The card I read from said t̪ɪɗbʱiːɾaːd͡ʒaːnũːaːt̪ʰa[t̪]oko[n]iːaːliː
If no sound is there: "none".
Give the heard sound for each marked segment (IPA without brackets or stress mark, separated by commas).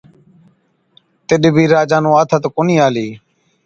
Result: t̪, n